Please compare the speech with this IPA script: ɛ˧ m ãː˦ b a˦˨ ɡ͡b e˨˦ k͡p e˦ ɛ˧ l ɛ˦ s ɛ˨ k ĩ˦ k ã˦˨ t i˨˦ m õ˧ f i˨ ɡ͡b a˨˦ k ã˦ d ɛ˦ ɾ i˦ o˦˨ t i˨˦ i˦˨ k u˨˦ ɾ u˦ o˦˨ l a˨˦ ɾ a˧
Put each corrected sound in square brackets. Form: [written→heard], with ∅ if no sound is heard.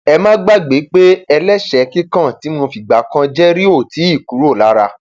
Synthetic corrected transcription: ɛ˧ m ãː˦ [b→ɡ͡b] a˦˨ ɡ͡b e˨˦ k͡p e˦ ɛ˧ l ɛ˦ [s→ʃ] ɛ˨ k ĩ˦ k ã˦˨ t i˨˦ m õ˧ f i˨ ɡ͡b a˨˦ k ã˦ [d→d͡ʒ] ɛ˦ ɾ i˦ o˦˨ t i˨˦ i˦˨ k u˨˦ ɾ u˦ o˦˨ l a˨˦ ɾ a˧